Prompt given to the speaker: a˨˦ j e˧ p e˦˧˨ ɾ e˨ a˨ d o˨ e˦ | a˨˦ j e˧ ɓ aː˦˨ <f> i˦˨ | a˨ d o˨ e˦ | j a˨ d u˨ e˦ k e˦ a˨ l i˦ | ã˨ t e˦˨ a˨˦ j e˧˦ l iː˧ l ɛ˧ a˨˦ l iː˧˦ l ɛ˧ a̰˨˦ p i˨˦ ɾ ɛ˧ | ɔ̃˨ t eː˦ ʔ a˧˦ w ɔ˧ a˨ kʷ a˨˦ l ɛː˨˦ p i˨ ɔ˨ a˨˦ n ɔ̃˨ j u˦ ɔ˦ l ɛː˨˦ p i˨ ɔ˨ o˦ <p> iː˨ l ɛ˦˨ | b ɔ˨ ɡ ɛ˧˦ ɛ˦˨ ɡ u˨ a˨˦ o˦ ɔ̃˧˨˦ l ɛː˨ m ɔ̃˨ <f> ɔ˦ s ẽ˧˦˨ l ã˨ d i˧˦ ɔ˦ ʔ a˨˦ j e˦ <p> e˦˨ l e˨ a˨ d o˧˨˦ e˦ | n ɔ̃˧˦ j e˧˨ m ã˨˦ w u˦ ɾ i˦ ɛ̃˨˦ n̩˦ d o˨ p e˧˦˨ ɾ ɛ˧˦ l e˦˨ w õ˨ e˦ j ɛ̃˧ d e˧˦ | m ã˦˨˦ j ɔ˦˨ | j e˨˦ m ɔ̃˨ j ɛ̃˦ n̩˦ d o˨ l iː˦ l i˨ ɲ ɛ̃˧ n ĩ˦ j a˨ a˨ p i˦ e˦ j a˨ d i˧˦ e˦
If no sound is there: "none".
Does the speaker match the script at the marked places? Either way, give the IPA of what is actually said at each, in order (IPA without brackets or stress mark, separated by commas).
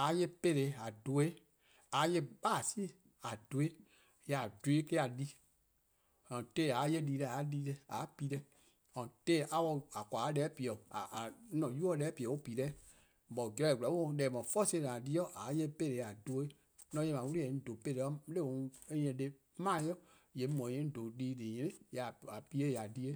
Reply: s, p, f, p